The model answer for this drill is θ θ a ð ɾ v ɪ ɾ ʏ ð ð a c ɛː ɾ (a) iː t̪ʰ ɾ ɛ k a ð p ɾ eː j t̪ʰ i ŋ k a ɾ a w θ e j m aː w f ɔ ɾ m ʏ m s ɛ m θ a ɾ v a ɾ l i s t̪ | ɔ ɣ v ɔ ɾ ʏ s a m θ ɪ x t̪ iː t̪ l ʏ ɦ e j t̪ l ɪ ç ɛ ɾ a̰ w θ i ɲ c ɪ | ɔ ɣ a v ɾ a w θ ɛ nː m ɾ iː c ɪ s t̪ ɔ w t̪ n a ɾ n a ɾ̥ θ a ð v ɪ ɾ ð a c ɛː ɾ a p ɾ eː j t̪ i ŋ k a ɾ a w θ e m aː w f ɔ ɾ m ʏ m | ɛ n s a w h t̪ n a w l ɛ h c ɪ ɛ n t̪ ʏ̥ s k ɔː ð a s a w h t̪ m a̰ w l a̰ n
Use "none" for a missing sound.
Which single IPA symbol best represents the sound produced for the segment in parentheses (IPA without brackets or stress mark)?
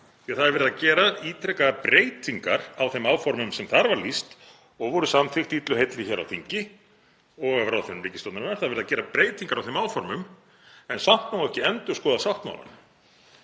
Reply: a